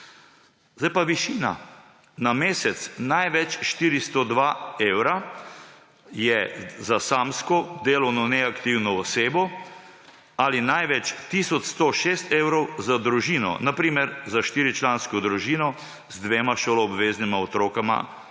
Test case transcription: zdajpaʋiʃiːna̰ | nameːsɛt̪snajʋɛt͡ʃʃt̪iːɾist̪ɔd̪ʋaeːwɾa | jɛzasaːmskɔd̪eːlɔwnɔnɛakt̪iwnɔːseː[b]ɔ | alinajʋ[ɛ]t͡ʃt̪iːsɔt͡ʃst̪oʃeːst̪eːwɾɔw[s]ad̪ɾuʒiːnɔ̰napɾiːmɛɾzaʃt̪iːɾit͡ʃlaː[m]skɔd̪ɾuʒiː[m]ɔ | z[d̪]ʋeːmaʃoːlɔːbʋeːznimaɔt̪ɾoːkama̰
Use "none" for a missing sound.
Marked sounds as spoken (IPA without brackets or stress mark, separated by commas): b, ɛ, z, n, n, d̪